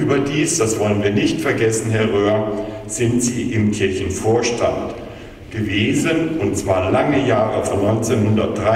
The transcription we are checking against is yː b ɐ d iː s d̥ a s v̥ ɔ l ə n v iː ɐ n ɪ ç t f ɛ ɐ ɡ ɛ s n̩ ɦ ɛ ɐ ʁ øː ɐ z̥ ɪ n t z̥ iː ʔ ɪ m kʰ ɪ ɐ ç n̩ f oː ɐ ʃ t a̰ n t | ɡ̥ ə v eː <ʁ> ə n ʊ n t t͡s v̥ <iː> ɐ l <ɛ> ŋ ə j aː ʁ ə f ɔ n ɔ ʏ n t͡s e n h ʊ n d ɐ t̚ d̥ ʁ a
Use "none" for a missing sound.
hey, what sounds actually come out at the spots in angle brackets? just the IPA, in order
z, aː, a

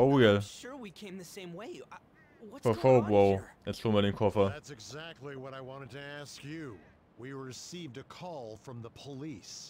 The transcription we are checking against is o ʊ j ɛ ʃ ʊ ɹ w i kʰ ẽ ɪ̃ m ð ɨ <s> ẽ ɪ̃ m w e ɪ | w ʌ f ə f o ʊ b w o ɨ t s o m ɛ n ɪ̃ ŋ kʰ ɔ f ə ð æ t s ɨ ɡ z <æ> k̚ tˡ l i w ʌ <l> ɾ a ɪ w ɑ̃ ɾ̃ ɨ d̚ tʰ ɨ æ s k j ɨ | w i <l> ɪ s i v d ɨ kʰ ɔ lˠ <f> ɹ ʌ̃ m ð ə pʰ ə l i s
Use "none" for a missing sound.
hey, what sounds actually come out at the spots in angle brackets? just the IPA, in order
s, æ, none, ɹ, f

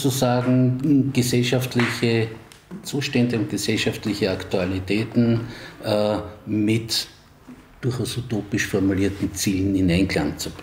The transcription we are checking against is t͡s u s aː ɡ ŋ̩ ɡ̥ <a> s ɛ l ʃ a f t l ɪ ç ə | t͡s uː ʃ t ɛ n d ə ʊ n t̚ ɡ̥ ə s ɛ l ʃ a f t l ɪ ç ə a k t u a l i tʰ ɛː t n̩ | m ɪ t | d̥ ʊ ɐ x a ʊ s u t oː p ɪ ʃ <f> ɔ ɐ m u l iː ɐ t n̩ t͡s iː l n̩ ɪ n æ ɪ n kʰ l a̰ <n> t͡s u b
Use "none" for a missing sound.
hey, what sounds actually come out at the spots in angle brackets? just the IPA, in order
ə, f, ŋ

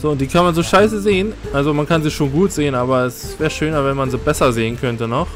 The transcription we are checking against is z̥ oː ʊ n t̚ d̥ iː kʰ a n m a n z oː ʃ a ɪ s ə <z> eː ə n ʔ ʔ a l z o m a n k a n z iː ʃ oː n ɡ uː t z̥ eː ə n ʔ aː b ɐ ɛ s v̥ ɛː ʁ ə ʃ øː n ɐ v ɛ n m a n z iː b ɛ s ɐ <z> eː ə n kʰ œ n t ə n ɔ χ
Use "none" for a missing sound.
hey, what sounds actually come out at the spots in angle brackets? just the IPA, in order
z, z

